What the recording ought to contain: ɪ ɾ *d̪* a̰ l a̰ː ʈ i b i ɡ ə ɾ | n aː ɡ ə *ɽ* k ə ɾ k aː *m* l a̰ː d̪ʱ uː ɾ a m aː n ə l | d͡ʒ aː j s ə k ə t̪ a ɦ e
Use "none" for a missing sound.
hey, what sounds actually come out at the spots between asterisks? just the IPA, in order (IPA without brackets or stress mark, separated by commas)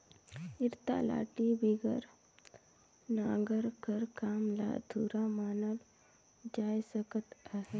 t̪, ɾ, m